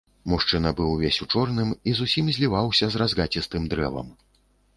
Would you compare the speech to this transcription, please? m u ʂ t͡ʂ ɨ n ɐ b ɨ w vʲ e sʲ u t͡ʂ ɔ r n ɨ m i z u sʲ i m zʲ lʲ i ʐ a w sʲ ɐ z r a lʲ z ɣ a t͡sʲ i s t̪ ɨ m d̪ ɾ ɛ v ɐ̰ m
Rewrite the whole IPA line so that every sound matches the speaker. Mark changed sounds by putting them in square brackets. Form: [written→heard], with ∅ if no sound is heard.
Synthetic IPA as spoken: m u ʂ t͡ʂ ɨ n ɐ b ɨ w vʲ e sʲ u t͡ʂ ɔ r n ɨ m i z u sʲ i m zʲ lʲ i [ʐ→v] a w sʲ ɐ z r a [lʲ→∅] z ɣ a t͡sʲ i s t̪ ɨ m d̪ ɾ ɛ v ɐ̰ m